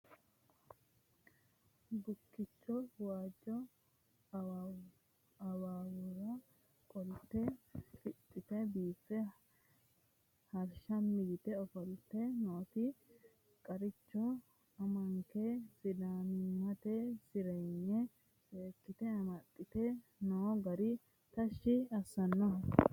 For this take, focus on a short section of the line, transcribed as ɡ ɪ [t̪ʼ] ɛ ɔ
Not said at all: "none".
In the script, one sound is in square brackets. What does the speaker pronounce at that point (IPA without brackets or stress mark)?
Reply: t̪